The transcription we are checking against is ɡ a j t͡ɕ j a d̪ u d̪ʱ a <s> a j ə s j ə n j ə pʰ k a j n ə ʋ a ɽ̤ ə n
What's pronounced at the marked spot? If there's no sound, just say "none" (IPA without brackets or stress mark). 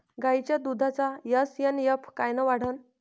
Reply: t͡s